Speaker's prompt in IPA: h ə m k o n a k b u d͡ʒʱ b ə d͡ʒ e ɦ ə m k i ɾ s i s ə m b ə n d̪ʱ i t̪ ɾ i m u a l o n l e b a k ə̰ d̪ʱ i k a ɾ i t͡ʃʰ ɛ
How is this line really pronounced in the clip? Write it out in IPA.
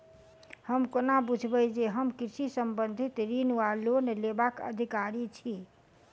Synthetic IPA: h ə m k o n a b u d͡ʒʱ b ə d͡ʒ e ɦ ə m k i ɾ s i s ə m b ə n d̪ʱ i t̪ ɾ i n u a l o n l e b a k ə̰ d̪ʱ i k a ɾ i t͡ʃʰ i